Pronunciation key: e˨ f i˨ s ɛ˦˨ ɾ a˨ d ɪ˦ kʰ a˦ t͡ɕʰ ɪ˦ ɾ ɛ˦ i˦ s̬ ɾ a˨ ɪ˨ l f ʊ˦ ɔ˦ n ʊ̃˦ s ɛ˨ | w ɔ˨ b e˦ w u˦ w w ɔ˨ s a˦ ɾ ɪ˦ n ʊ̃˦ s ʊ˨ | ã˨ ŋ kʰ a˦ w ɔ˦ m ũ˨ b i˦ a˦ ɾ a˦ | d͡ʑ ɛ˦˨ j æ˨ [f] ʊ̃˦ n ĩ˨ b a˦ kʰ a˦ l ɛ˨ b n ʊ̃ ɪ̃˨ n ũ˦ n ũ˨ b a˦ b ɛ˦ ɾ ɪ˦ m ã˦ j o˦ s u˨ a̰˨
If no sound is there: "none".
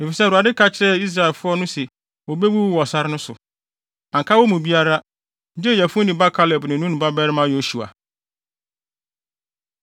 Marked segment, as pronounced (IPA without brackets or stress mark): f